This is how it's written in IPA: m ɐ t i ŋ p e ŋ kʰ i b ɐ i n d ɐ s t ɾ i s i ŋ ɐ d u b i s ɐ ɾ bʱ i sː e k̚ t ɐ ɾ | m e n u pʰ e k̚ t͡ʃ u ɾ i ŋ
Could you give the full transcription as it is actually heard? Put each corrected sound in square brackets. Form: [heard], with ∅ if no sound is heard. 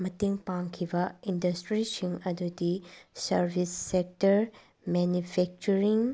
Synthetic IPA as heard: m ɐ t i ŋ p [a] ŋ kʰ i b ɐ i n d ɐ s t ɾ i s i ŋ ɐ d u [d] i s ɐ ɾ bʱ i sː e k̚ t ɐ ɾ | m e n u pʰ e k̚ t͡ʃ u ɾ i ŋ